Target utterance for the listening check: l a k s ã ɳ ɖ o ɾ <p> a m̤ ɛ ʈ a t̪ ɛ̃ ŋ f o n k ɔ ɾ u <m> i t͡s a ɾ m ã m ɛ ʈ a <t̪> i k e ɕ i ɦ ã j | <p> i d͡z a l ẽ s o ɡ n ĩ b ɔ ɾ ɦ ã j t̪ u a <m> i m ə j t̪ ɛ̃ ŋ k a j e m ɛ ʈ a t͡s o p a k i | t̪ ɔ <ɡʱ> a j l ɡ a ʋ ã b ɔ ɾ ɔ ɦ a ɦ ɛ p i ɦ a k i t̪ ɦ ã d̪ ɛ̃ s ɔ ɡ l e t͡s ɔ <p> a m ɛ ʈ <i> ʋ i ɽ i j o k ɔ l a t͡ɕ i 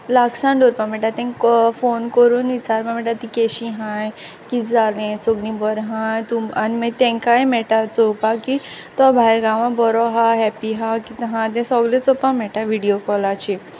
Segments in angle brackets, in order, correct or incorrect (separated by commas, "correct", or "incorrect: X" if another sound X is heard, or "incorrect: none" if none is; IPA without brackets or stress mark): correct, incorrect: n, correct, incorrect: k, incorrect: n, incorrect: bʱ, correct, incorrect: a